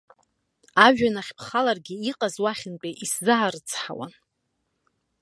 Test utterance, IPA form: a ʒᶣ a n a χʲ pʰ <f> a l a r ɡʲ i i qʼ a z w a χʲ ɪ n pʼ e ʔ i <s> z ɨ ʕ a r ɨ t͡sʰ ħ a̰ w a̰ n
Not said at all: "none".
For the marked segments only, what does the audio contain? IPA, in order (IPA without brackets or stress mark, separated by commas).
χ, s